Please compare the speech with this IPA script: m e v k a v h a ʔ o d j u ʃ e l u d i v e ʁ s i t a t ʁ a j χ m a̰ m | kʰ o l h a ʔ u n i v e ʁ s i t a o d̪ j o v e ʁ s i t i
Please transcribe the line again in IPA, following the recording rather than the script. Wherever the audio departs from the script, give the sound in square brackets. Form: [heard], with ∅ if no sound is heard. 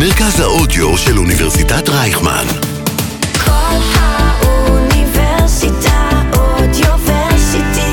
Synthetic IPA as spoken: m e [ʁ] k a [z] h a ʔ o d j [o] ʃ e l u [n] i v e ʁ s i t a t ʁ a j χ m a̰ [n] | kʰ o l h a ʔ u n i v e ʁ s i t a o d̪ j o v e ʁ s i t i